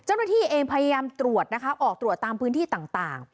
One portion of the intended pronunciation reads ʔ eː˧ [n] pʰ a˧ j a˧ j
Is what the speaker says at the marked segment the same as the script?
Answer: no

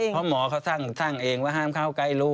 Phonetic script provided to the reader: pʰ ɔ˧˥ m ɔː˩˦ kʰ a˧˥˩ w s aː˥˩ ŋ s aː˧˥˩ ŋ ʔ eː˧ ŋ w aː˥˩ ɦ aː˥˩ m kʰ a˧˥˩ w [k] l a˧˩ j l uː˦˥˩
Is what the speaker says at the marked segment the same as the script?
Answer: yes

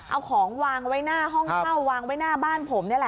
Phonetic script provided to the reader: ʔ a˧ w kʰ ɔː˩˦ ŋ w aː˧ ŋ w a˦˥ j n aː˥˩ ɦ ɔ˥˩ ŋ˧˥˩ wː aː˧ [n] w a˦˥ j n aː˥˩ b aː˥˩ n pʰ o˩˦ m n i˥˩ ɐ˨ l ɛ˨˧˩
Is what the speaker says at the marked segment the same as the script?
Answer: no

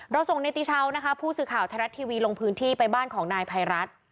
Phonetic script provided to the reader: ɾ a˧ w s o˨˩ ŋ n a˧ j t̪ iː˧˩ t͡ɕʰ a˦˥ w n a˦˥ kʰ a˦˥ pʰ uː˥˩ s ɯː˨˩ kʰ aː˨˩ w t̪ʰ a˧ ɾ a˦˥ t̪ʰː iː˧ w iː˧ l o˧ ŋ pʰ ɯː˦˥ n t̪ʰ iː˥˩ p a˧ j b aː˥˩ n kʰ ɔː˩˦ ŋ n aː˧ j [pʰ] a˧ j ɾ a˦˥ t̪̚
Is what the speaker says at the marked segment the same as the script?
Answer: yes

